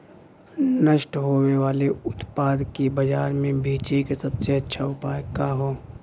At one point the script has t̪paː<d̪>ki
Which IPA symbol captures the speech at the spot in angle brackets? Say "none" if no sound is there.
d̪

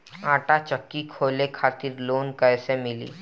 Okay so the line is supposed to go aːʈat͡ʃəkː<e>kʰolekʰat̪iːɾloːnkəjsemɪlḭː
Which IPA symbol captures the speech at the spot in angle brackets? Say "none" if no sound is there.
i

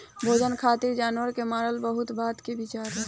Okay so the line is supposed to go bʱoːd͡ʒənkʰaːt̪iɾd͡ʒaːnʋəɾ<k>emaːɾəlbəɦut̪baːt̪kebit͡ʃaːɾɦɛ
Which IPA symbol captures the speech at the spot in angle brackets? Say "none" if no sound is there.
k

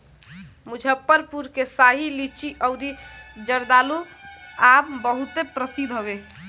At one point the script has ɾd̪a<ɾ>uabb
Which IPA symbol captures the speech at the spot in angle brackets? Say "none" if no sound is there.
l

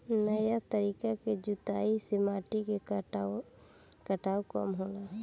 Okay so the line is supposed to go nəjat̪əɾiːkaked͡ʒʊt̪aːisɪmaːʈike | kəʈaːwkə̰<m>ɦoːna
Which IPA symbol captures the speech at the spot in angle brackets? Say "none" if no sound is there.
m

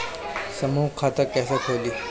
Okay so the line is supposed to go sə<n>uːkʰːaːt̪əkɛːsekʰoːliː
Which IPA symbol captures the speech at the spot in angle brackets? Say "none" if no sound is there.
m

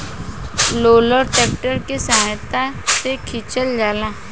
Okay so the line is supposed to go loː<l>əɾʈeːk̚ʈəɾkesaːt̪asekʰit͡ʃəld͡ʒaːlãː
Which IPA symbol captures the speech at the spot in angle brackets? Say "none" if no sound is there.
l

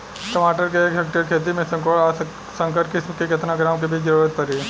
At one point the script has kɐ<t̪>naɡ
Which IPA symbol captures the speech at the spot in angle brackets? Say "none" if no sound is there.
t̪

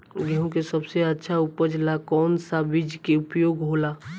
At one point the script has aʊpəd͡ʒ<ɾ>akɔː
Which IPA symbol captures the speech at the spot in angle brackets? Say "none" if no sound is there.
l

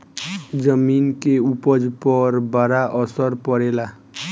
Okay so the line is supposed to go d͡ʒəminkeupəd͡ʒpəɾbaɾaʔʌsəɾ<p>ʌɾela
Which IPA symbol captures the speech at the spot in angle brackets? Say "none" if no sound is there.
p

